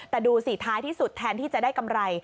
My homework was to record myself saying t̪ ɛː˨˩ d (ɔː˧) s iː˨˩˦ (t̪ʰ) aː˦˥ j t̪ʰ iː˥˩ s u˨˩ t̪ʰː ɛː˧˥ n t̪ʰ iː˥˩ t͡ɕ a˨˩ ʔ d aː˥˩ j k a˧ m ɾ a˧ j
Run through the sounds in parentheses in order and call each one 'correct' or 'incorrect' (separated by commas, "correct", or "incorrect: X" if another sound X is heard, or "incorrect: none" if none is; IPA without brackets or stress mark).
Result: incorrect: uː˧, correct